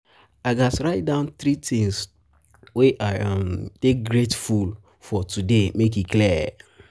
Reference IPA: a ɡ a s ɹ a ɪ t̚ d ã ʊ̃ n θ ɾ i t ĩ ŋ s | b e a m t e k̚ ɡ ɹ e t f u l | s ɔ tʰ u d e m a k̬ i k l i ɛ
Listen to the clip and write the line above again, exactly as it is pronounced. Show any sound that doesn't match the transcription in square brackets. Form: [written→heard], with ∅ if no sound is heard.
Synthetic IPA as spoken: a ɡ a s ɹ a ɪ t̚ d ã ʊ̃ n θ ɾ i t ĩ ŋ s | [b→w] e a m t e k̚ ɡ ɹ e t f u l | [s→f] ɔ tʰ u d e m [a→e] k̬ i k l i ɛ